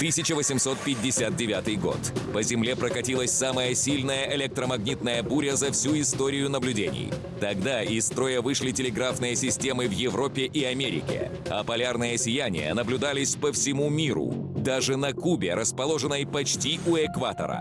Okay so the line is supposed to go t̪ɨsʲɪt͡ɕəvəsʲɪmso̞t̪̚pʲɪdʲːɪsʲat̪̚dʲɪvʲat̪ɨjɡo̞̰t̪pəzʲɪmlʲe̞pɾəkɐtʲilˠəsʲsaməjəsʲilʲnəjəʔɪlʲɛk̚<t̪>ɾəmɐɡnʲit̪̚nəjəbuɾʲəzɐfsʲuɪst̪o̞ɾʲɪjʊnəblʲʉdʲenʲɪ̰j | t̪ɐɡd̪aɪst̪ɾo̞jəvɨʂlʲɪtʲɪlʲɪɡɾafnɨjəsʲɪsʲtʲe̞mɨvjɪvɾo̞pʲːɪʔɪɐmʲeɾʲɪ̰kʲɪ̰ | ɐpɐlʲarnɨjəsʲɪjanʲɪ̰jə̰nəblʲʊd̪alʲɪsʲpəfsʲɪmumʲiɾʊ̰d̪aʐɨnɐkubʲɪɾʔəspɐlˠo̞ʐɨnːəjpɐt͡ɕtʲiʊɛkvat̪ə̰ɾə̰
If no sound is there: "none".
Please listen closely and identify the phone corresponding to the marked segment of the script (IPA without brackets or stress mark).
t̪